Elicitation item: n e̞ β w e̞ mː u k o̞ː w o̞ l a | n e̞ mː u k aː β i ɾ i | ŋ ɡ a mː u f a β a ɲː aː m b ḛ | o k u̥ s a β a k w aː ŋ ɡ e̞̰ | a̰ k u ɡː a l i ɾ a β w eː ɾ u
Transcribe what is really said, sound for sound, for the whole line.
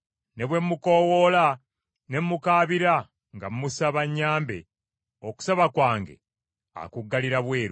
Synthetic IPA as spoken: n e̞ β w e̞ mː u k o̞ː w o̞ l a | n e̞ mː u k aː β i ɾ a | ŋ ɡ a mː u s a β a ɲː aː m b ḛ | o k u̥ s a β a k w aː ŋ ɡ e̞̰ | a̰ k u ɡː a l i ɾ a β w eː ɾ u

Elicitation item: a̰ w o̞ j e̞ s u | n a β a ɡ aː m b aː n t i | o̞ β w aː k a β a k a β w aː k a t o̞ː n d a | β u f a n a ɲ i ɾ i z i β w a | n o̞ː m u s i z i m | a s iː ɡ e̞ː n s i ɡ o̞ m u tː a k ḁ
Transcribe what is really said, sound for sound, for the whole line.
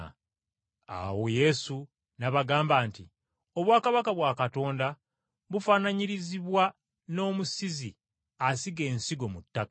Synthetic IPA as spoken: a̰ w o̞ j e̞ s u | n a β a ɡ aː m b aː n t i | o̞ β w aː k a β a k a β w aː k a t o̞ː n d a | β u f a n a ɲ i ɾ i z i β w a | n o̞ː m u s i z i | a s i ɡ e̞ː n s i ɡ o̞ m u tː a k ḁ

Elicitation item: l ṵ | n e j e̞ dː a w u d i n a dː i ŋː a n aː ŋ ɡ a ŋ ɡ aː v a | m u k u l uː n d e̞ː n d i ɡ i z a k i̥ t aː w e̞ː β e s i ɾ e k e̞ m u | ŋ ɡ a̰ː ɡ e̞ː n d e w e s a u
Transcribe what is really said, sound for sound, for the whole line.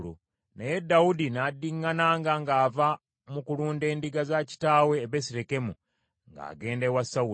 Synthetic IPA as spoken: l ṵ | n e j e̞ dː a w u d i n a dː i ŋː a n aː ŋ ɡ a ŋ ɡ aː v a | m u k u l uː n d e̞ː n d i ɡ a z a c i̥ t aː w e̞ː β e s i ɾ e k e̞ m u | ŋ ɡ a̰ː ɡ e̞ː n d e w a s a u

